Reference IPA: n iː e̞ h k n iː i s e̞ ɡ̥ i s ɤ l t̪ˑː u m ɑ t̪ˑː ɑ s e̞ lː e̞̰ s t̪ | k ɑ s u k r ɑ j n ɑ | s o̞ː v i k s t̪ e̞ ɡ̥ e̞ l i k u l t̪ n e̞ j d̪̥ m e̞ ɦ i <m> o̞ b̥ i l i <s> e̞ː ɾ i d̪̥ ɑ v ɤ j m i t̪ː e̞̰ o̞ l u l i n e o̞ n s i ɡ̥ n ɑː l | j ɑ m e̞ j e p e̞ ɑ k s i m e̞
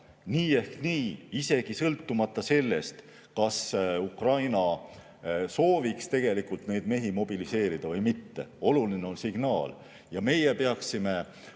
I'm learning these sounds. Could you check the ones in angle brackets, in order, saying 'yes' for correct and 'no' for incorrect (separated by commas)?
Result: yes, yes